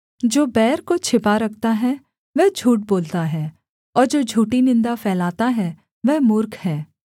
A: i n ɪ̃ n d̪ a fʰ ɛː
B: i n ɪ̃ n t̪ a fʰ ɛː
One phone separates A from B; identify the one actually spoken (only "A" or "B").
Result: A